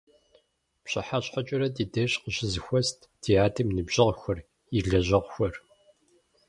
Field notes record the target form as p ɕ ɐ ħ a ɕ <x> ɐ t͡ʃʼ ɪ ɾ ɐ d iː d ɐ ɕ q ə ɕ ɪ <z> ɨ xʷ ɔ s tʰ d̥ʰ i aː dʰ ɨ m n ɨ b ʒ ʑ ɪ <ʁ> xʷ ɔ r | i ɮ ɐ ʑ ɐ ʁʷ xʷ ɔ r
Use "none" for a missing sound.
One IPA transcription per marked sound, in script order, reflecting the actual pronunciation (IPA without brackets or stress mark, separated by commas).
ħ, z, ʁ